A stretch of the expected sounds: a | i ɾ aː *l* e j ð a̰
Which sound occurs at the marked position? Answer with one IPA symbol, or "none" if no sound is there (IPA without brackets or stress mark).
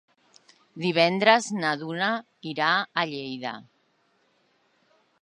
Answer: ʎ